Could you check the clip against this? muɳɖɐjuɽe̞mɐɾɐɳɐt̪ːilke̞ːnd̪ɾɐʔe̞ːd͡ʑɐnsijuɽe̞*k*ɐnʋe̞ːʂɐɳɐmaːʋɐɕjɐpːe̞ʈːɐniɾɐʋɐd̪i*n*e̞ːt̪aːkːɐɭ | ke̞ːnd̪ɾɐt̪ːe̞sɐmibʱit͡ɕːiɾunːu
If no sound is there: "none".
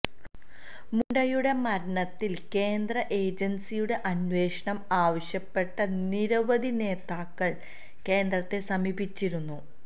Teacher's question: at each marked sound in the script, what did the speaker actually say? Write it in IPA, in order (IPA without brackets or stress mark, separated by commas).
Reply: ʔ, n